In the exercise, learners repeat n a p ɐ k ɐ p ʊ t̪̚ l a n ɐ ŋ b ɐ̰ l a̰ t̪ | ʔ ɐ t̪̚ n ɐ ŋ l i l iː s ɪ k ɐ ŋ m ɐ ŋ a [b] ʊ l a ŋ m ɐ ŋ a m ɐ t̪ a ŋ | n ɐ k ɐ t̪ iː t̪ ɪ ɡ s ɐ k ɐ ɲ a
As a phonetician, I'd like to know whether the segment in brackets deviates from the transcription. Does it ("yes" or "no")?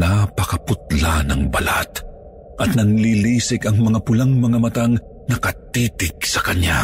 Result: yes